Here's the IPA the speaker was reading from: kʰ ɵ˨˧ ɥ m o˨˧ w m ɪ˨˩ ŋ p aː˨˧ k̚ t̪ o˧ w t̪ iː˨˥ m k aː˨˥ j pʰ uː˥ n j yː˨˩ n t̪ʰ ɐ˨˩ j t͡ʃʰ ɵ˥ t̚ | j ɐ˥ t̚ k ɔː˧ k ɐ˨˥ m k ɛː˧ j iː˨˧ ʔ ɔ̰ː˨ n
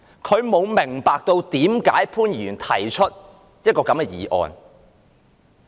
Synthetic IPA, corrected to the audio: kʰ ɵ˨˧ ɥ m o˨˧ w m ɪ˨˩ ŋ p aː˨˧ k̚ t̪ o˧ w t̪ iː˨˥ m k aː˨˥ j pʰ uː˥ n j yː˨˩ n t̪ʰ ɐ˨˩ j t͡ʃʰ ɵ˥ t̚ | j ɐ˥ t̚ k ɔː˧ k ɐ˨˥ m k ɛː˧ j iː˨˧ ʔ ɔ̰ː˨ n